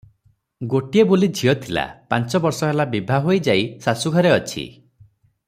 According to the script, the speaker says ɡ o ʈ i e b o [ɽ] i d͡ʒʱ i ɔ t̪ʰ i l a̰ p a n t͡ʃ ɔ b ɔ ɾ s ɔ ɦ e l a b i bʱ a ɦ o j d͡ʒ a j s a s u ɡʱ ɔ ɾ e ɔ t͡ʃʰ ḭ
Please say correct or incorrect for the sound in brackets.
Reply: incorrect